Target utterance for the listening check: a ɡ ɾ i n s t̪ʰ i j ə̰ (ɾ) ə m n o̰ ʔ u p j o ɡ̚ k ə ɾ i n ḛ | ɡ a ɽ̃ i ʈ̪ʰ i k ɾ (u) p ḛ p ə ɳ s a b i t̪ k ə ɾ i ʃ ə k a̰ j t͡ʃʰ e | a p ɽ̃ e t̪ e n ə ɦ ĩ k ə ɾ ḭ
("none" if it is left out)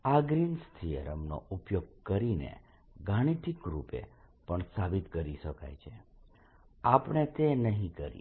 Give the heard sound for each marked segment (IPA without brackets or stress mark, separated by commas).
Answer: ɾ, u